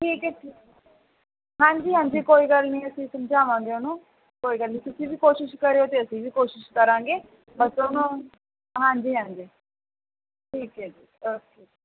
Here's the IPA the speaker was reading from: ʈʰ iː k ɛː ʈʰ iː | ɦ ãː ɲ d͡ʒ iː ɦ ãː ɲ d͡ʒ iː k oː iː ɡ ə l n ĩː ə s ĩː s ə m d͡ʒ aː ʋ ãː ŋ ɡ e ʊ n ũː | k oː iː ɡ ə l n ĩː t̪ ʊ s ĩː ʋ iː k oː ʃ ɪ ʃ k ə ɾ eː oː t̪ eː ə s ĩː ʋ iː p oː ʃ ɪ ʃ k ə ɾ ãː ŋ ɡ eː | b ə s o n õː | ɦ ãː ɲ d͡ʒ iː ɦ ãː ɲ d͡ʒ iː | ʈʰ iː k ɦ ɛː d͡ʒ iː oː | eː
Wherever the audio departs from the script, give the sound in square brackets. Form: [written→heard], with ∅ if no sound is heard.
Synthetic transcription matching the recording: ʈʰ iː k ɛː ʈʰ iː | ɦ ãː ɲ d͡ʒ iː ɦ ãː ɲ d͡ʒ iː k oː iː ɡ ə l n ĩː ə s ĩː s ə m d͡ʒ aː ʋ ãː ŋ ɡ e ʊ n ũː | k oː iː ɡ ə l n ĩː t̪ ʊ s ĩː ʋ iː k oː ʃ ɪ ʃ k ə ɾ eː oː t̪ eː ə s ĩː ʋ iː [p→k] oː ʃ ɪ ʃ k ə ɾ ãː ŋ ɡ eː | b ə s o n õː | ɦ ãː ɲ d͡ʒ iː ɦ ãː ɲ d͡ʒ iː | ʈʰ iː k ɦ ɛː d͡ʒ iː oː | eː